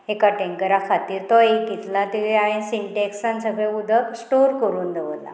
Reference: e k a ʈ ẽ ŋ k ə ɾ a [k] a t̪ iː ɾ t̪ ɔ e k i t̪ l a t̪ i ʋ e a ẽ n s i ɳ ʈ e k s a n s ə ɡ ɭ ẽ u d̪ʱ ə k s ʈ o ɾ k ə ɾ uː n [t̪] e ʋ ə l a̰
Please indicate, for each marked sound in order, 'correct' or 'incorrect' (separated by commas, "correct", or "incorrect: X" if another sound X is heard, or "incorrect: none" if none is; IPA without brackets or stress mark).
incorrect: kʰ, incorrect: d̪